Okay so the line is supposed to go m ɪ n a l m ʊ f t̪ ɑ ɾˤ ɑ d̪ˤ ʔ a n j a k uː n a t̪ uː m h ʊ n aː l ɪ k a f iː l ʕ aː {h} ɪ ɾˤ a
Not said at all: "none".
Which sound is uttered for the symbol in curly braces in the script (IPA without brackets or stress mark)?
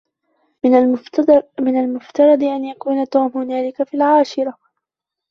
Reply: ʃ